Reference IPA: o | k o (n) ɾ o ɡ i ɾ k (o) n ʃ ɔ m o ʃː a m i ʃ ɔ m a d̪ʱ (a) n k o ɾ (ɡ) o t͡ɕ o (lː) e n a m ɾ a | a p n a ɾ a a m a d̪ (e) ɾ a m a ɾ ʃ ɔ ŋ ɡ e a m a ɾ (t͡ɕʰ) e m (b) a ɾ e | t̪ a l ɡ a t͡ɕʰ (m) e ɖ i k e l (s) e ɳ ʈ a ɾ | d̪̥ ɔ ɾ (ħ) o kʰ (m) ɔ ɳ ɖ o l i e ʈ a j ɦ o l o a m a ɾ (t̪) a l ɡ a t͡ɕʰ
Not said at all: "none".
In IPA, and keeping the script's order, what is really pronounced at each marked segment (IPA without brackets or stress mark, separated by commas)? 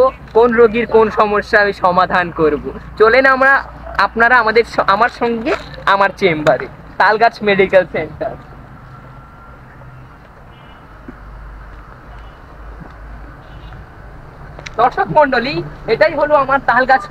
n, o, a, b, l, e, t͡ɕ, b, m, s, ʃ, m, t̪